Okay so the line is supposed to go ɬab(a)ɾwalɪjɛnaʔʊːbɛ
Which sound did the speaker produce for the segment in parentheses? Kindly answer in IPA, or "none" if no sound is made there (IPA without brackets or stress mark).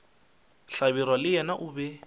i